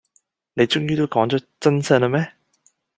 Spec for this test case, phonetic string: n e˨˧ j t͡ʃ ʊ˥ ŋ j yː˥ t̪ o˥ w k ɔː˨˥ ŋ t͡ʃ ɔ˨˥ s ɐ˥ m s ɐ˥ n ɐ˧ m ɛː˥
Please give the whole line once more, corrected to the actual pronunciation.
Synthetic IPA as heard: n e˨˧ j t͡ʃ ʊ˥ ŋ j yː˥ t̪ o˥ w k ɔː˨˥ ŋ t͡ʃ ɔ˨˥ t͡s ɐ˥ n s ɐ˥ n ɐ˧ m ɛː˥

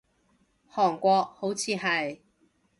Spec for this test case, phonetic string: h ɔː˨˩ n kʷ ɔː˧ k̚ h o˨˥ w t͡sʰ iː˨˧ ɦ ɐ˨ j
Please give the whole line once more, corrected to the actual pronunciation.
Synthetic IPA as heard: h ɔː˨˩ ŋ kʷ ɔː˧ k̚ h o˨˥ w t͡sʰ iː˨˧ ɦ ɐ˨ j

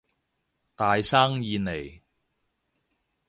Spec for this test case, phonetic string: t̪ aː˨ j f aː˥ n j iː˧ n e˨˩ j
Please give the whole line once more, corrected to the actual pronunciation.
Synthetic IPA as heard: t̪ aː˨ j s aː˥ ŋ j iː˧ n e˨˩ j

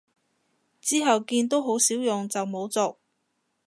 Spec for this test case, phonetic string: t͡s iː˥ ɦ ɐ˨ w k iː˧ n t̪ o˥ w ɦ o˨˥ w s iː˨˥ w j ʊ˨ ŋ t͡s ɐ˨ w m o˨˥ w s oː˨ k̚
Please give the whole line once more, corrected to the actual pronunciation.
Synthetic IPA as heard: t͡s iː˥ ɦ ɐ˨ w k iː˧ n t̪ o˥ w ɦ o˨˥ w s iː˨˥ w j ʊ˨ ŋ t͡s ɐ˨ w m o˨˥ w t͡s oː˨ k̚

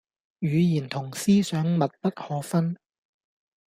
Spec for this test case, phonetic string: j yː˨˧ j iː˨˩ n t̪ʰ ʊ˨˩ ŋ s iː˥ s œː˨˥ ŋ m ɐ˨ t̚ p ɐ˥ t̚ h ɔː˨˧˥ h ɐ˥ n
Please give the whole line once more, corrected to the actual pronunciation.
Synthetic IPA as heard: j yː˨˧ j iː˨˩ n t̪ʰ ʊ˨˩ ŋ s iː˥ s œː˨˥ ŋ m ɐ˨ t̚ p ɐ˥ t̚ h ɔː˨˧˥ f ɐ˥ n

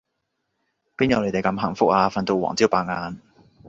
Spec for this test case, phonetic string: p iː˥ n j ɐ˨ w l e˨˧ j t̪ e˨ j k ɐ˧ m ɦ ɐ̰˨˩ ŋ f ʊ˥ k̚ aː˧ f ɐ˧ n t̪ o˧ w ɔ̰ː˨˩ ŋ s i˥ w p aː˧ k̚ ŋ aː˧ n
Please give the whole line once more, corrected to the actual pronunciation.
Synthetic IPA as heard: p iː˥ n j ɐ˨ w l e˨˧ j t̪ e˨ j k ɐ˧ m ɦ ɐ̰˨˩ ŋ f ʊ˥ k̚ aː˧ f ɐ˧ n t̪ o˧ w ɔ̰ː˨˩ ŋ t͡s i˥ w p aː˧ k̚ ŋ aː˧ n

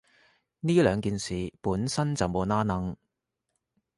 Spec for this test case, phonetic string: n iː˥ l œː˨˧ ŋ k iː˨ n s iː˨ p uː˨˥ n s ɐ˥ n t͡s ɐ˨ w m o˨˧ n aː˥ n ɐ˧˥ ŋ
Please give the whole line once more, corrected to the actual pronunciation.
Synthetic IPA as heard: n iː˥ l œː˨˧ ŋ k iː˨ n s iː˨ p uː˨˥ n s ɐ˥ n t͡s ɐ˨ w m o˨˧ n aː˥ n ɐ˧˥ ŋ

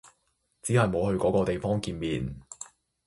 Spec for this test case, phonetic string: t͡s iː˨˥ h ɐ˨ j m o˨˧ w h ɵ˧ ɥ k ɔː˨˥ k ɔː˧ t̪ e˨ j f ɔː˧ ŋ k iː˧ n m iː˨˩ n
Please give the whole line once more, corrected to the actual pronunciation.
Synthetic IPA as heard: t͡s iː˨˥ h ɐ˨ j m o˨˧ w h ɵ˧ ɥ k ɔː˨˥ k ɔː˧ t̪ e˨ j f ɔː˥ ŋ k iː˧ n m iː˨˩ n

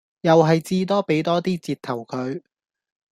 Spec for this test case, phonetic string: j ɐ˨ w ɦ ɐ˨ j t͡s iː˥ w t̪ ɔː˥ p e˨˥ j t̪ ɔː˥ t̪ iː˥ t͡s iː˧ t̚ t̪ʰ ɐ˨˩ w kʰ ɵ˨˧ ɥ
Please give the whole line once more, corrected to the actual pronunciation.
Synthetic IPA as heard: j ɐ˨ w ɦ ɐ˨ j t͡s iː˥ t̪ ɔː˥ p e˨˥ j t̪ ɔː˥ t̪ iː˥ t͡s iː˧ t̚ t̪ʰ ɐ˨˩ w kʰ ɵ˨˧ ɥ

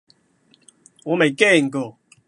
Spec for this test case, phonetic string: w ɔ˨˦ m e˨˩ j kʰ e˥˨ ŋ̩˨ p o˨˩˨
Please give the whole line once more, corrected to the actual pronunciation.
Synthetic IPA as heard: w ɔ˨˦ m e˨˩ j k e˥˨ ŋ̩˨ k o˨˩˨

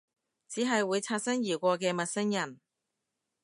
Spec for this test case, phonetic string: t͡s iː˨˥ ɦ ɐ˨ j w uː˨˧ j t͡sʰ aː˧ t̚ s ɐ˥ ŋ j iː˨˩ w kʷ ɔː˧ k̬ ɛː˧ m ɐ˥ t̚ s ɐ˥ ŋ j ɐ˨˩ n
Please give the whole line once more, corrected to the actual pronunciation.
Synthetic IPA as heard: t͡s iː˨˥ ɦ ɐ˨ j w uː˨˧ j t͡sʰ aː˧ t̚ s ɐ˥ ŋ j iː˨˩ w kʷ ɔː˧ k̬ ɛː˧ m ɐ˨ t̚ s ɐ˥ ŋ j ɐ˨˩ n

